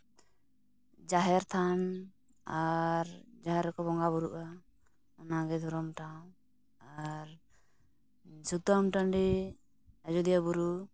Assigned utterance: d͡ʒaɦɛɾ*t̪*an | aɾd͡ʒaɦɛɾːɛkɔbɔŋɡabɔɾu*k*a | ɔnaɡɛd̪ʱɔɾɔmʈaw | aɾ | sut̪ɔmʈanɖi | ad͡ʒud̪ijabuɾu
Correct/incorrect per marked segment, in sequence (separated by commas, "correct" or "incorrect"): incorrect, incorrect